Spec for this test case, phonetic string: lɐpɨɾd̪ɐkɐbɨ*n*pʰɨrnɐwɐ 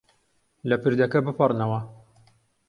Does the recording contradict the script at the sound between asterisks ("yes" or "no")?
yes